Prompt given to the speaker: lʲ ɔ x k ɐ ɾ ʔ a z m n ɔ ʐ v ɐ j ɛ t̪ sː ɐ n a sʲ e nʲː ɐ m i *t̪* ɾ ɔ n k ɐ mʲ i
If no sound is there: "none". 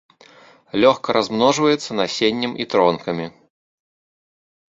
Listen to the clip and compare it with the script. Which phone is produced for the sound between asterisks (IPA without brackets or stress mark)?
t̪